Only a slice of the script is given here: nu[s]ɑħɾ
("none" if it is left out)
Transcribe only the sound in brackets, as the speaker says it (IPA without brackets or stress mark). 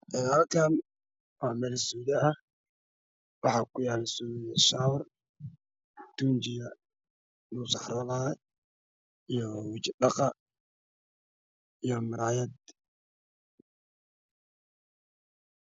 s